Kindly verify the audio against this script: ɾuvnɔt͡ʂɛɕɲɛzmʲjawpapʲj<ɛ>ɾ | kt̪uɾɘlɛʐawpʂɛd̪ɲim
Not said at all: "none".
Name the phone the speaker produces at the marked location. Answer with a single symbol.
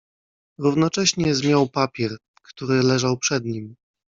ɛ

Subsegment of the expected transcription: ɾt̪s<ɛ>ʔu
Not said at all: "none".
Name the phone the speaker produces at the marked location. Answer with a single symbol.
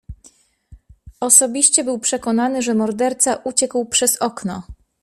a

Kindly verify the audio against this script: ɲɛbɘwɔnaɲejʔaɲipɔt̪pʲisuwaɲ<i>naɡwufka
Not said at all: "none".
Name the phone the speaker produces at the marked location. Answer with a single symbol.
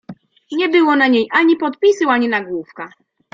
i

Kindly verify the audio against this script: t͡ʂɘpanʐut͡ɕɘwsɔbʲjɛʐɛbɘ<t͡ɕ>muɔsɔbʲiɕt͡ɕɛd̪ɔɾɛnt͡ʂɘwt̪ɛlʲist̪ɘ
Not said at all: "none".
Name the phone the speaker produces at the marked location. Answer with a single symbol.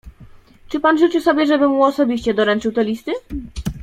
none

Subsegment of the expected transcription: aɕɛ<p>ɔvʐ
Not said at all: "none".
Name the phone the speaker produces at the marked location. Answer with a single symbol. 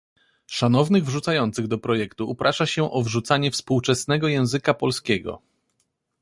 ʔ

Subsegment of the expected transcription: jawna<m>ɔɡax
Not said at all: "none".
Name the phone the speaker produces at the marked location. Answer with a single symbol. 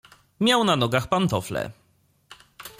n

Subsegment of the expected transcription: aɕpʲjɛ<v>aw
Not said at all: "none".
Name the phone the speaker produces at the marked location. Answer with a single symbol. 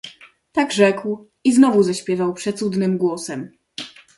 v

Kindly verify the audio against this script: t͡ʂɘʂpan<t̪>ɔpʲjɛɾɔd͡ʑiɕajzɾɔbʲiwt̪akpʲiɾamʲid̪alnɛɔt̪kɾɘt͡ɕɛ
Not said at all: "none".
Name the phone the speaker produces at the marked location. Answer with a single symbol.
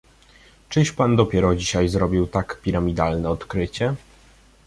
d̪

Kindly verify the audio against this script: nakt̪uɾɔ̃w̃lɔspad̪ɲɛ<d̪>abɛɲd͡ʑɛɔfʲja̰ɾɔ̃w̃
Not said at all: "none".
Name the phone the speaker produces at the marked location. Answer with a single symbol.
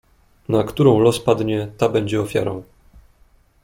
t̪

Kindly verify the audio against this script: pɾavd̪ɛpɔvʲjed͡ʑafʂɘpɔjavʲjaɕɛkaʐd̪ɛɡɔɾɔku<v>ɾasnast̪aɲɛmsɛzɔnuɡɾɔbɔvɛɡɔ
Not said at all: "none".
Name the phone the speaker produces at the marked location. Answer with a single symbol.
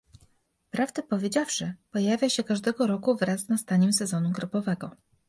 v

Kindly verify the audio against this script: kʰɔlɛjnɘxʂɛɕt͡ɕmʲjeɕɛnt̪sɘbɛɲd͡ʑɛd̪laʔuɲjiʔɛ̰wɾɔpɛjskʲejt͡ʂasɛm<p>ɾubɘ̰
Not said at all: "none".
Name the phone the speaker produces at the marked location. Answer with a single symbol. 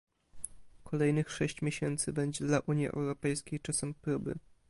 p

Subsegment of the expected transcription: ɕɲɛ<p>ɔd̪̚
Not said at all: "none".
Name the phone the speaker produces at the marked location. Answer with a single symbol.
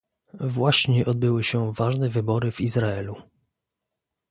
ʔ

